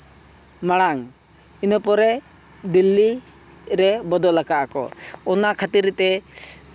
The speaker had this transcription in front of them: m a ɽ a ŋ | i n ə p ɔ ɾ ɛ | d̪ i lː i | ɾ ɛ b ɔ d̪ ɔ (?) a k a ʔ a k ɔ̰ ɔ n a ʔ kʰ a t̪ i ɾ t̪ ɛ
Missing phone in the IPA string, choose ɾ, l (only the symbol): l